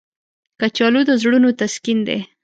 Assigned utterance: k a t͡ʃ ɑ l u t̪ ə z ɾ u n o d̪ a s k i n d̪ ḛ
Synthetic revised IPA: k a t͡ʃ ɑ l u d̪ ə z ɽ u n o t̪ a s k i n d̪ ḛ